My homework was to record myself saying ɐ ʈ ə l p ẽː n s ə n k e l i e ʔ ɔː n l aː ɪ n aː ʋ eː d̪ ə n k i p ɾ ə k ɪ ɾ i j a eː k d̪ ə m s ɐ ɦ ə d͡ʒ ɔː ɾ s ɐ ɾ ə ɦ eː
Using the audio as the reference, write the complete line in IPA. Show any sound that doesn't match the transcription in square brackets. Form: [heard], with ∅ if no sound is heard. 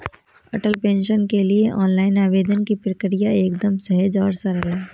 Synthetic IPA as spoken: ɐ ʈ ə l p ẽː n [ʃ] ə n k e l i e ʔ ɔː n l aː ɪ n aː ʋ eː d̪ ə n k i p ɾ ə k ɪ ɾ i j a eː k d̪ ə m s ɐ ɦ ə d͡ʒ ɔː ɾ s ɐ ɾ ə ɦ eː